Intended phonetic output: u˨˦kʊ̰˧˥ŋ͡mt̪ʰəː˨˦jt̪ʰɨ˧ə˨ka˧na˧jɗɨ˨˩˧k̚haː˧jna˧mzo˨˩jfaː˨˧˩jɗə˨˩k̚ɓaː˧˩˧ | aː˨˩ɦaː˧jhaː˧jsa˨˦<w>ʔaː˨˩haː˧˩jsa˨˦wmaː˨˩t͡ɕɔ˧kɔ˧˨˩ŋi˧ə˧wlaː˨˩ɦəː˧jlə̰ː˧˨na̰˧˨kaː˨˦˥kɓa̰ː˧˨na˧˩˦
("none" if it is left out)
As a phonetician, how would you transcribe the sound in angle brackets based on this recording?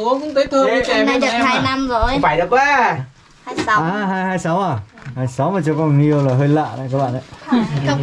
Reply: w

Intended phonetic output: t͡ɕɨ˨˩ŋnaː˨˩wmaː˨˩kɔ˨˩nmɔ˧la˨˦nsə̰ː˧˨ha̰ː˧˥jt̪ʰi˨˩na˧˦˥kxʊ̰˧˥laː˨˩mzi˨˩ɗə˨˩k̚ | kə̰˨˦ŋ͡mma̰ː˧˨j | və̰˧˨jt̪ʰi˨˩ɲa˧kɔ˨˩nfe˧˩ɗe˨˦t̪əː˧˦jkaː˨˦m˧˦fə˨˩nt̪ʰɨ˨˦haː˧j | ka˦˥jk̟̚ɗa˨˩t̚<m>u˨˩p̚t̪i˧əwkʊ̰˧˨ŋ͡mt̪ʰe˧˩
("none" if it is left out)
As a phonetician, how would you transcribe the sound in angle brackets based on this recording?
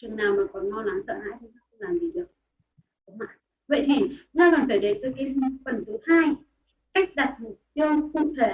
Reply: m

